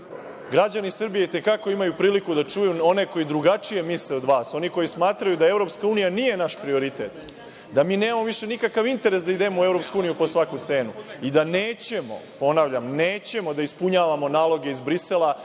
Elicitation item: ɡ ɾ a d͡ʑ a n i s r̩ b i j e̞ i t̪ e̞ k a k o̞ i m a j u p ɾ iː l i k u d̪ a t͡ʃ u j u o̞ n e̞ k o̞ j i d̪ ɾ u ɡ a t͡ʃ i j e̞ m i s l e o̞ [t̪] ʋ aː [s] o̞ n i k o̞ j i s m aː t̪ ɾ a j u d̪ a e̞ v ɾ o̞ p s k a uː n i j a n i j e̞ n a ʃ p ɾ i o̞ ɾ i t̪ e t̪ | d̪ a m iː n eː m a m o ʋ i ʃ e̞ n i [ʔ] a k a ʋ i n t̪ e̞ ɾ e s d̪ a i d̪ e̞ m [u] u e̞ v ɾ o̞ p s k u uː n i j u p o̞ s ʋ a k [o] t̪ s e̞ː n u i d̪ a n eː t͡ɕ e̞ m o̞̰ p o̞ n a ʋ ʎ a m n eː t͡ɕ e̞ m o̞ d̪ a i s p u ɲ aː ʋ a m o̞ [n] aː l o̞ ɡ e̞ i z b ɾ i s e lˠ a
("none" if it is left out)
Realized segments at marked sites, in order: d̪, s, k, o, u, n

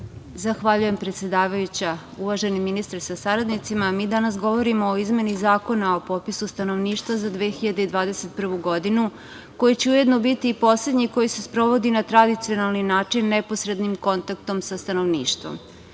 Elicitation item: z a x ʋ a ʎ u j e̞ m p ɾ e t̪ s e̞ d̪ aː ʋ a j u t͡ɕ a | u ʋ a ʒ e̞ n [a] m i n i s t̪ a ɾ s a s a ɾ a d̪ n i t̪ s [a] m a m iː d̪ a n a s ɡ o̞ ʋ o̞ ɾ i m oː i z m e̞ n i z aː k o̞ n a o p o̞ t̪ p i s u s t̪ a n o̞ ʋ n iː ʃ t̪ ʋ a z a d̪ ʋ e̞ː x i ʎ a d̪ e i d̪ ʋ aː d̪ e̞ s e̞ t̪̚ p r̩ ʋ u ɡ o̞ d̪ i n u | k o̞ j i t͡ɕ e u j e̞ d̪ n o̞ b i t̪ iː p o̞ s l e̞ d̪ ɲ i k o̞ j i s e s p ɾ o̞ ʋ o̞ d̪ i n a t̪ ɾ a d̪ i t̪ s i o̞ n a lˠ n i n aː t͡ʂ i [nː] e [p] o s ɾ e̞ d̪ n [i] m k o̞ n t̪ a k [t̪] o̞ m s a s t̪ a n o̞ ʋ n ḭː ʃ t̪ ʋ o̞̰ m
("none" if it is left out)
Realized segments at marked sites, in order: i, i, nː, p, i, t̪

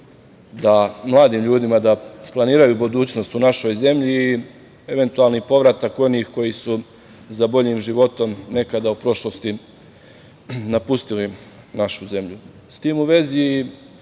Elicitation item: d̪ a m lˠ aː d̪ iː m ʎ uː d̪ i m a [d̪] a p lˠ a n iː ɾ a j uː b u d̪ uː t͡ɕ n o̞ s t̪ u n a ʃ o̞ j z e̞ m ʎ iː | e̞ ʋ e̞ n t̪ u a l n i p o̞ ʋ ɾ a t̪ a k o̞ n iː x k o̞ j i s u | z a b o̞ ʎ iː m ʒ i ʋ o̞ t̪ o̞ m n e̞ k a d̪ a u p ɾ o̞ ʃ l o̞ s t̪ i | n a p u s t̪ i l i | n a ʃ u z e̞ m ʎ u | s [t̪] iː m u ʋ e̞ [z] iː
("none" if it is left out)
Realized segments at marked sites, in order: d̪, t̪, z

